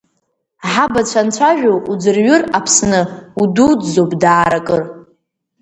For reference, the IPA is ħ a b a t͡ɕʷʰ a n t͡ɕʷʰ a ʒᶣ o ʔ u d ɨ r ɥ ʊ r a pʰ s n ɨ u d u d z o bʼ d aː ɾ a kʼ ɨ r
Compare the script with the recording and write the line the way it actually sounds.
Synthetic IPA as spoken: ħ a b a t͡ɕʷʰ a n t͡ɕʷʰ a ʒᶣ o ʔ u d͡z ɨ r ɥ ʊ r a pʰ s n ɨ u d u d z o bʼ d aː ɾ a kʼ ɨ r